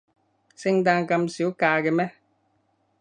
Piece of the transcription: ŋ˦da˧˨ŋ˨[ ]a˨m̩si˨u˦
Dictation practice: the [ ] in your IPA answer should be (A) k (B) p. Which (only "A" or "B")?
A